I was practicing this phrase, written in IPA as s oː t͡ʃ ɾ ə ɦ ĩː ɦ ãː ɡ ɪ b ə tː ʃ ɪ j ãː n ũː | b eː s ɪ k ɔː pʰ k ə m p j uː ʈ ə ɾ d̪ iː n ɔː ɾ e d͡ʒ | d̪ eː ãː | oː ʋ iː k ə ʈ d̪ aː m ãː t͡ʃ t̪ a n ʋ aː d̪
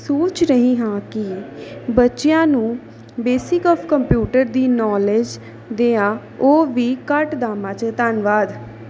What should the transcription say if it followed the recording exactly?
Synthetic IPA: s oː t͡ʃ ɾ ə ɦ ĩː ɦ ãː k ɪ b ə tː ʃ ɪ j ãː n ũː | b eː s ɪ k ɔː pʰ k ə m p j uː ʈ ə ɾ d̪ iː n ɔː l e d͡ʒ | d̪ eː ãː | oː ʋ iː k ə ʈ d̪ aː m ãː t͡ʃ t̪ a n ʋ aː d̪

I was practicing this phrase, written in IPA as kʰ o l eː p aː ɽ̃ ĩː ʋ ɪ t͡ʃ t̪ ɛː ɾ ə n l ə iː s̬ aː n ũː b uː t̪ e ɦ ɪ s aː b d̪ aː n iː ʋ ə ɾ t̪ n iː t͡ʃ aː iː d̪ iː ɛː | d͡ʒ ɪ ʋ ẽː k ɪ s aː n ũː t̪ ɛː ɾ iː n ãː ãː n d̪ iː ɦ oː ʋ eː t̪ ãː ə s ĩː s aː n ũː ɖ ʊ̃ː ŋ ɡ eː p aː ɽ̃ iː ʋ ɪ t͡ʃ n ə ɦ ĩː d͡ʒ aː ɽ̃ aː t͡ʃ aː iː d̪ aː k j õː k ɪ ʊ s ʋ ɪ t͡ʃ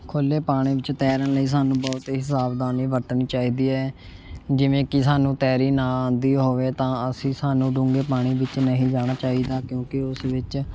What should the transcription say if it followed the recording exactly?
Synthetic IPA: kʰ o l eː p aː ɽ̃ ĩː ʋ ɪ t͡ʃ t̪ ɛː ɾ ə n l ə iː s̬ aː n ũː b ɔː t̪ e ɦ ɪ s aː b d̪ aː n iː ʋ ə ɾ t̪ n iː t͡ʃ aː iː d̪ iː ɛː | d͡ʒ ɪ ʋ ẽː k ɪ s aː n ũː t̪ ɛː ɾ iː n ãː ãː n d̪ iː ɦ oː ʋ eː t̪ ãː ə s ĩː s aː n ũː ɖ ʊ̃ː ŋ ɡ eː p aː ɽ̃ iː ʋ ɪ t͡ʃ n ə ɦ ĩː d͡ʒ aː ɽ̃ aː t͡ʃ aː iː d̪ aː k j õː k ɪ ʊ s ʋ ɪ t͡ʃ

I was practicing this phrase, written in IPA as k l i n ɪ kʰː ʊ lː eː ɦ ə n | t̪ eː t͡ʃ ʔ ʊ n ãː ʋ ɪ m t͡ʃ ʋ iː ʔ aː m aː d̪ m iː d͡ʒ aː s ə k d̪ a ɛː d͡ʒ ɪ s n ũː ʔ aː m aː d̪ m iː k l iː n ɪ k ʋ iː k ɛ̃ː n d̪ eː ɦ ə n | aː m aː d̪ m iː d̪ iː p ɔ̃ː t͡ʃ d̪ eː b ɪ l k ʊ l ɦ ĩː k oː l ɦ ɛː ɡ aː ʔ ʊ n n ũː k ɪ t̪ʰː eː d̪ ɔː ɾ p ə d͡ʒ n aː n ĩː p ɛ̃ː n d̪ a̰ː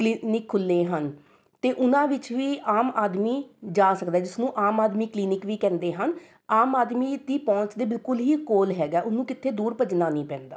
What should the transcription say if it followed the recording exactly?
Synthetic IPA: k l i n ɪ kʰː ʊ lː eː ɦ ə n | t̪ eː ʔ ʊ n ãː ʋ ɪ t͡ʃ ʋ iː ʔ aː m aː d̪ m iː d͡ʒ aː s ə k d̪ a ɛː d͡ʒ ɪ s n ũː ʔ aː m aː d̪ m iː k l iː n ɪ k ʋ iː k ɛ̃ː n d̪ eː ɦ ə n | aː m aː d̪ m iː d̪ iː p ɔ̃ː t͡ʃ d̪ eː b ɪ l k ʊ l ɦ iː k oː l ɦ ɛː ɡ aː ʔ ʊ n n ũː k ɪ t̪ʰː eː d̪ uː ɾ p ə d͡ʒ n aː n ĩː p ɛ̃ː n d̪ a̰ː

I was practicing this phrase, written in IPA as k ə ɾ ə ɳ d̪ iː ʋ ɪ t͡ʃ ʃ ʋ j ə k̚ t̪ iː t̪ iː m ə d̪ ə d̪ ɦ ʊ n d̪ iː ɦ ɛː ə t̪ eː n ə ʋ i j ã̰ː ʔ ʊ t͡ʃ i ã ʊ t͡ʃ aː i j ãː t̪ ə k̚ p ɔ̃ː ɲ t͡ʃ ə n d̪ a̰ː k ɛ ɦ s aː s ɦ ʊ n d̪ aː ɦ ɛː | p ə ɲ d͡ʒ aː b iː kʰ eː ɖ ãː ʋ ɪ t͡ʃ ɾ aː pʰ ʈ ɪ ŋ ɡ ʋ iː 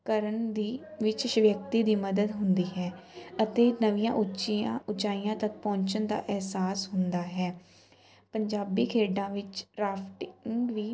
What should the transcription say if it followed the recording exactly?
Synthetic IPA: k ə ɾ ə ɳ d̪ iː ʋ ɪ t͡ʃ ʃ ʋ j ə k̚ t̪ iː d̪ iː m ə d̪ ə d̪ ɦ ʊ n d̪ iː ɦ ɛː ə t̪ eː n ə ʋ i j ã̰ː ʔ ʊ t͡ʃ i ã ʊ t͡ʃ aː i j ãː t̪ ə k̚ p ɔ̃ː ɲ t͡ʃ ə n d̪ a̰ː ʔ ɛ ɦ s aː s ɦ ʊ n d̪ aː ɦ ɛː | p ə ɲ d͡ʒ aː b iː kʰ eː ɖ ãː ʋ ɪ t͡ʃ ɾ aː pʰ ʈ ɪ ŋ ɡ ʋ iː

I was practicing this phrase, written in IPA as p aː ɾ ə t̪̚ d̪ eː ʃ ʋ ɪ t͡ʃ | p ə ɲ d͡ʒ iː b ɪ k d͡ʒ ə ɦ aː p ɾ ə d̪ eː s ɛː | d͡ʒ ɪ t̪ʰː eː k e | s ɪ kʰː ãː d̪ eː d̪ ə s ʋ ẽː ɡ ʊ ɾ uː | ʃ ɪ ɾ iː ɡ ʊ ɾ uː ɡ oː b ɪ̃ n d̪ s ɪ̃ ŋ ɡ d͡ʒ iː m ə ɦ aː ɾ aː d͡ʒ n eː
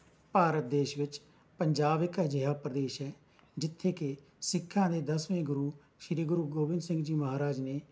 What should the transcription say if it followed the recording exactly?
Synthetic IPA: p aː ɾ ə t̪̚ d̪ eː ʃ ʋ ɪ t͡ʃ | p ə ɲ d͡ʒ aː b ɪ k d͡ʒ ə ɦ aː p ɾ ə d̪ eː ʃ ɛː | d͡ʒ ɪ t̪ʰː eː k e | s ɪ kʰː ãː d̪ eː d̪ ə s ʋ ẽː ɡ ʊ ɾ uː | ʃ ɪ ɾ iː ɡ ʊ ɾ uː ɡ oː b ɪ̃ n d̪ s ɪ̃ ŋ ɡ d͡ʒ iː m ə ɦ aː ɾ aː d͡ʒ n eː

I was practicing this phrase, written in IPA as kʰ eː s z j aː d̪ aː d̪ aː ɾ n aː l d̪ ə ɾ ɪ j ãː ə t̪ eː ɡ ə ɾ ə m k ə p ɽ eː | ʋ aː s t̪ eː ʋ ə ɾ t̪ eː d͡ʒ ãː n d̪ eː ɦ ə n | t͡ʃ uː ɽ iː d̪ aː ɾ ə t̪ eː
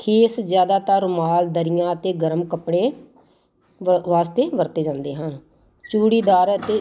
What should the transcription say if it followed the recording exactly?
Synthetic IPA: kʰ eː s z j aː d̪ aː t̪ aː ɾ m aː l d̪ ə ɾ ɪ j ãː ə t̪ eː ɡ ə ɾ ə m k ə p ɽ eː | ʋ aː s t̪ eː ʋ ə ɾ t̪ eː d͡ʒ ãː n d̪ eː ɦ ə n | t͡ʃ uː ɽ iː d̪ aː ɾ ə t̪ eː

